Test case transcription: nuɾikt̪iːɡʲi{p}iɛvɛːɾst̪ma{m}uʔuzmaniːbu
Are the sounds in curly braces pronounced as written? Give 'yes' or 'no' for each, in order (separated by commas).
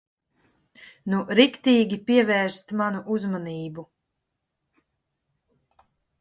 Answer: yes, no